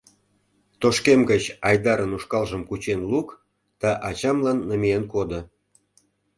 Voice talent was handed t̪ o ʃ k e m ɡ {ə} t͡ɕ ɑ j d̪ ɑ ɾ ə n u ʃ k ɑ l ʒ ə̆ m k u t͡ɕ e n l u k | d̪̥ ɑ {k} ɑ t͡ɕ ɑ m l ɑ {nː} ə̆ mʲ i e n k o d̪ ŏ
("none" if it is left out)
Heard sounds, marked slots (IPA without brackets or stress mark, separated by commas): ə, ʔ, nː